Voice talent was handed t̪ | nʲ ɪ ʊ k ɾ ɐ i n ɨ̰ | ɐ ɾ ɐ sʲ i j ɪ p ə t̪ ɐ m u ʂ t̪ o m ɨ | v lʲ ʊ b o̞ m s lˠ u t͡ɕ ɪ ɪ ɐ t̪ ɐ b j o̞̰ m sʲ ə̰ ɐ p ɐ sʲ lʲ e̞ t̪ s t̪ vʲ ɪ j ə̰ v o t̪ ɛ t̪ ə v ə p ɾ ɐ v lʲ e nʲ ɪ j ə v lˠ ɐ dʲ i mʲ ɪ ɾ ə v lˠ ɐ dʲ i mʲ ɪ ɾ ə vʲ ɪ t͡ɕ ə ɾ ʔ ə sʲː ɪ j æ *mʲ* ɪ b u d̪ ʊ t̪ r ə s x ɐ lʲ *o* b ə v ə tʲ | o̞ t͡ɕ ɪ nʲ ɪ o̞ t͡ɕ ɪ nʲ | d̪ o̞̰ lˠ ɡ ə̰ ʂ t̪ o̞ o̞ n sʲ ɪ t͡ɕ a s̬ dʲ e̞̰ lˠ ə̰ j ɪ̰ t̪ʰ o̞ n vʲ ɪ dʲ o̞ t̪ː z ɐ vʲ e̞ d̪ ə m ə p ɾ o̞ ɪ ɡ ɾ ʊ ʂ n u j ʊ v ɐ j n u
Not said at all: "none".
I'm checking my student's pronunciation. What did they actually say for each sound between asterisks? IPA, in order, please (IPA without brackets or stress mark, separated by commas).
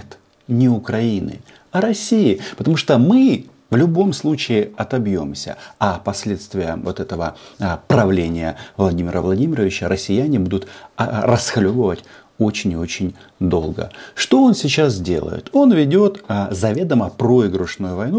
nʲ, o